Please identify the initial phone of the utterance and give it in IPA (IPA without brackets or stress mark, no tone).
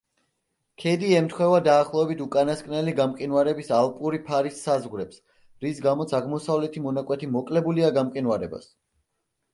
kʰ